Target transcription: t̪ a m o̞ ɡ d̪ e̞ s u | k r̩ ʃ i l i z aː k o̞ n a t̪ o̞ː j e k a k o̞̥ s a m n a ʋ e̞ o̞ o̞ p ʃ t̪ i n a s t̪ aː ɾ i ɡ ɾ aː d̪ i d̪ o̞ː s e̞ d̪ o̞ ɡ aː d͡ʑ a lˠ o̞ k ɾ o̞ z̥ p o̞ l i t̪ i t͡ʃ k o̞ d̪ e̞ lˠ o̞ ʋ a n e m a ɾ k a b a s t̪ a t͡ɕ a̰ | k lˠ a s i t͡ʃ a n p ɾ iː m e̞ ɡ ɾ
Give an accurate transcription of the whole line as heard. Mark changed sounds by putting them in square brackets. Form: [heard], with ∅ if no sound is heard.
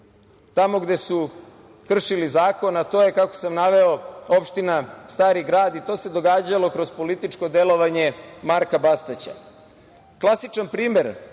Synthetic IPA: t̪ a m o̞ ɡ d̪ e̞ s u | k r̩ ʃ i l i z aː k o̞ n a t̪ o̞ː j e k a k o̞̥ s a m n a ʋ e̞ o̞ o̞ p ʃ t̪ i n a s t̪ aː ɾ i ɡ ɾ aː d̪ i [t̪] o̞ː s e̞ d̪ o̞ ɡ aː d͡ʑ a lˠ o̞ k ɾ o̞ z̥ p o̞ l i t̪ i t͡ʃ k o̞ d̪ e̞ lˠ o̞ ʋ a [ɲ] e m a ɾ k a b a s t̪ a t͡ɕ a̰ | k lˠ a s i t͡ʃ a n p ɾ iː m e̞ [∅] ɾ